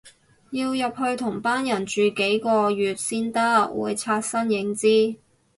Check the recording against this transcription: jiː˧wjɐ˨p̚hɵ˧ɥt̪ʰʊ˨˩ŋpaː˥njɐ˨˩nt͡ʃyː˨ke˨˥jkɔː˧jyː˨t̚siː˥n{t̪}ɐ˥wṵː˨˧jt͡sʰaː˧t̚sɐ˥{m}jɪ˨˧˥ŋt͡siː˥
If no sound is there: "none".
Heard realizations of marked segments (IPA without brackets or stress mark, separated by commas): t̪, n